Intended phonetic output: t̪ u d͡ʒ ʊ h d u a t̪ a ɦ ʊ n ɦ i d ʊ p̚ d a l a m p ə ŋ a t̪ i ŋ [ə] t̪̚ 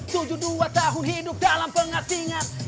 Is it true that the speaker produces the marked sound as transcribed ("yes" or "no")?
no